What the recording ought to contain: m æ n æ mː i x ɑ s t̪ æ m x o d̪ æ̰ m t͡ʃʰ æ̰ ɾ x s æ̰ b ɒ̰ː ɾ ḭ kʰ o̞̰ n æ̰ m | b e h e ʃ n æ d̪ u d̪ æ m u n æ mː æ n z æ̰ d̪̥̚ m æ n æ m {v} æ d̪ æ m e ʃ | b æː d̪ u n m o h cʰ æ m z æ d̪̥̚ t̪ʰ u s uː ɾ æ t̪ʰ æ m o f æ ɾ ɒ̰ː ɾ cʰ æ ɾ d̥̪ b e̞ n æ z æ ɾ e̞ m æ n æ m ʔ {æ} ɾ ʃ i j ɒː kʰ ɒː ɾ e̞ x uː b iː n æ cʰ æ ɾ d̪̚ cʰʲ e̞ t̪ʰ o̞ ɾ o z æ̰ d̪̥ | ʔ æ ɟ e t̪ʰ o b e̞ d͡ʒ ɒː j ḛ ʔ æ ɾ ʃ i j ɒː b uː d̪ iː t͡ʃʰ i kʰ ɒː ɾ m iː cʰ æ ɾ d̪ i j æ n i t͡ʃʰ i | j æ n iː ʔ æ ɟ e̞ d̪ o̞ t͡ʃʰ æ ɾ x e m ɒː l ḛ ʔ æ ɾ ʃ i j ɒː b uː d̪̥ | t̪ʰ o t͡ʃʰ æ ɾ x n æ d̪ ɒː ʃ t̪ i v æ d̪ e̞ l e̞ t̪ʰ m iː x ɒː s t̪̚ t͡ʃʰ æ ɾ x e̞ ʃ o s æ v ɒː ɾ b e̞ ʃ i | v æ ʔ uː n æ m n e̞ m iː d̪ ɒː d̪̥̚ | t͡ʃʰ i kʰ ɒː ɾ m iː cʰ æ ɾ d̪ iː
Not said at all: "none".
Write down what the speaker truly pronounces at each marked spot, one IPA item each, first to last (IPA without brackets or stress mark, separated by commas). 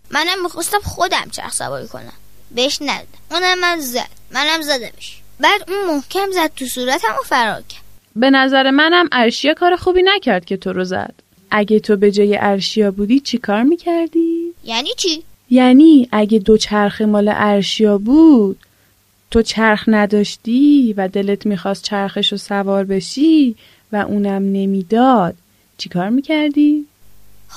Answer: z, æ